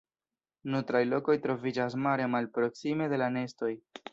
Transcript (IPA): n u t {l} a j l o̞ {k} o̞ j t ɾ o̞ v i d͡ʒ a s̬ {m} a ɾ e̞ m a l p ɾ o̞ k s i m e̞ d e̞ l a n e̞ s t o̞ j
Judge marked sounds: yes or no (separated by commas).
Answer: no, yes, yes